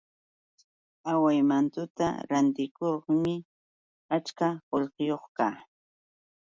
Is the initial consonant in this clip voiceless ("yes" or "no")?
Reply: no